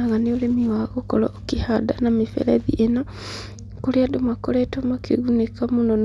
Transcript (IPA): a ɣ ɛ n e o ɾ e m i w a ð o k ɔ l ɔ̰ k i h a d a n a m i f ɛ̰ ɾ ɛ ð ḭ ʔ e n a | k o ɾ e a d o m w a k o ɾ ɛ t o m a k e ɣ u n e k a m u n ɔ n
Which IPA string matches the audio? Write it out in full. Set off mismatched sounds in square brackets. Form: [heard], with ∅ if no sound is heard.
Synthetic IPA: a ɣ [a] n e o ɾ e m i w a [ɣ] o k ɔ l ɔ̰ k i h a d a n a m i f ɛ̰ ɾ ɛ ð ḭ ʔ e n a | k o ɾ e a d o m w a k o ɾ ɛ t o m a k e ɣ u n e k a m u n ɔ n